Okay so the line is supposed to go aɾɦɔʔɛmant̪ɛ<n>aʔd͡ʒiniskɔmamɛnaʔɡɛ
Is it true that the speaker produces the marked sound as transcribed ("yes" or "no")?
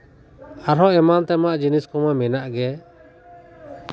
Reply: no